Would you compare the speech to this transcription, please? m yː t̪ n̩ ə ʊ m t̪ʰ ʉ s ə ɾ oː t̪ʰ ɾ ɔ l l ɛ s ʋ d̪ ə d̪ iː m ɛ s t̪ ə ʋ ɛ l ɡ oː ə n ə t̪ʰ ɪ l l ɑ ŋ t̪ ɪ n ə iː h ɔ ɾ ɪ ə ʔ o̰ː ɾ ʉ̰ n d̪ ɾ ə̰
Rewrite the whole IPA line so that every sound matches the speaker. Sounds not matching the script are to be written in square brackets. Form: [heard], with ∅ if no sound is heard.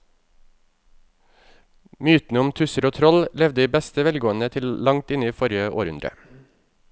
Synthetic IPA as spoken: m yː t̪ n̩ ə ʊ m t̪ʰ ʉ s ə ɾ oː t̪ʰ ɾ ɔ l l ɛ [∅] ʋ d̪ ə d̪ iː [b] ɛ s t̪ ə ʋ ɛ l ɡ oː ə n ə t̪ʰ ɪ l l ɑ ŋ t̪ ɪ n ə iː [f] ɔ ɾ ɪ ə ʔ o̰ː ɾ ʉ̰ n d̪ ɾ ə̰